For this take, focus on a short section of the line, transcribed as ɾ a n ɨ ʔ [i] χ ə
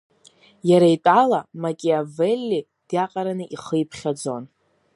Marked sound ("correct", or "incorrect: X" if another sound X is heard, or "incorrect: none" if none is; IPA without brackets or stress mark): correct